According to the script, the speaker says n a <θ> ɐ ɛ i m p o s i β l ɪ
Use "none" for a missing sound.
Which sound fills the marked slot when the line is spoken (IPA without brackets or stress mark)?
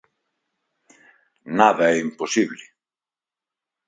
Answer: ð